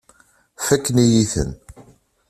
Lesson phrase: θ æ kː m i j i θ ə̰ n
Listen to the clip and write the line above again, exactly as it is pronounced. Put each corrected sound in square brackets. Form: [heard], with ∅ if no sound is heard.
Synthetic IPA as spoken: [f] æ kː [n] i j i θ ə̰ n